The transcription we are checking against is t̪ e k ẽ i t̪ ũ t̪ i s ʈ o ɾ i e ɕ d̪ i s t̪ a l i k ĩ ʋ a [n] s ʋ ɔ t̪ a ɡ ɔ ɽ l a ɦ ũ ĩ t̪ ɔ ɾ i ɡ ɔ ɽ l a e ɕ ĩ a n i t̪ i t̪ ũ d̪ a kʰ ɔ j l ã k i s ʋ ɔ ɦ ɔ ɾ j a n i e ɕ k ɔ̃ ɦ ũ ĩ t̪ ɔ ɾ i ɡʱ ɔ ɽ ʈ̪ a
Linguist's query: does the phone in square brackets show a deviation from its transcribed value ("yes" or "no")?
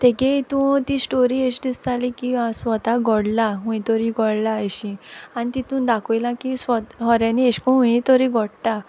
yes